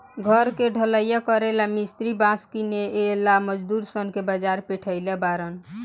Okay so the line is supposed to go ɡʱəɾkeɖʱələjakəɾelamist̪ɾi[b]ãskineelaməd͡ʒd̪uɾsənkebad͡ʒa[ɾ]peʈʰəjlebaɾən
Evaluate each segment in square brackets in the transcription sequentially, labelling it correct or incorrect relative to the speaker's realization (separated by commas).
correct, correct